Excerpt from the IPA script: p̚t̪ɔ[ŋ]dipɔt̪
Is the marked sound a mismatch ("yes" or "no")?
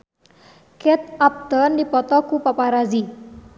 yes